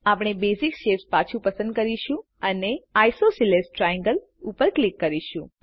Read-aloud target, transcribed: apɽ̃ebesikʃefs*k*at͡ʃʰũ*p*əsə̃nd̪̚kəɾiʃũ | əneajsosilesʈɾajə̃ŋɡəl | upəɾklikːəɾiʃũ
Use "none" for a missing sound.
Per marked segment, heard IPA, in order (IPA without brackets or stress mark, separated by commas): p, p